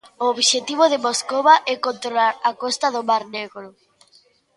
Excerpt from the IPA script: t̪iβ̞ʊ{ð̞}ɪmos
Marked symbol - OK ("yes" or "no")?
yes